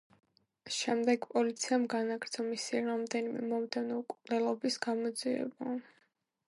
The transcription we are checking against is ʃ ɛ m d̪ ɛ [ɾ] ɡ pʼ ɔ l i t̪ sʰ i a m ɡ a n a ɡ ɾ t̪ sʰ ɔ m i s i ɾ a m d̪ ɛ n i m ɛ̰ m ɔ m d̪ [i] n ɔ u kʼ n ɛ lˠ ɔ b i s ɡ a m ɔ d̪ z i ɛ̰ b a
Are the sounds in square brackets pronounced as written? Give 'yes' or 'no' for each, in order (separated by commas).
no, no